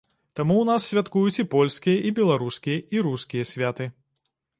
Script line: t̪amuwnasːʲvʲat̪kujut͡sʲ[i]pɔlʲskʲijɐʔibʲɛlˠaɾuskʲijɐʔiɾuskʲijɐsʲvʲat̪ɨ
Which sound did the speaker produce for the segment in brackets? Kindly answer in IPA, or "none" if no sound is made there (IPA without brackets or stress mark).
i